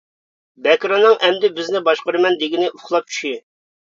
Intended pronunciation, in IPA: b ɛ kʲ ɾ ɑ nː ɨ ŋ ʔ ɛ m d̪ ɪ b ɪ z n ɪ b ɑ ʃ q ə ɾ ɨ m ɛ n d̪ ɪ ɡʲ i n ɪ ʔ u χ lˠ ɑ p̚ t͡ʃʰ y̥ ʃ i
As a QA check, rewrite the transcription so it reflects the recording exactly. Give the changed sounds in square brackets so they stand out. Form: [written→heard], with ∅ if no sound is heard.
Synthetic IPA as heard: b ɛ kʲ ɾ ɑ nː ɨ ŋ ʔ ɛ m d̪ ɪ b ɪ z n ɪ b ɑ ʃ q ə ɾ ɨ m ɛ n d̪ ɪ ɡʲ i n ɪ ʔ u χ lˠ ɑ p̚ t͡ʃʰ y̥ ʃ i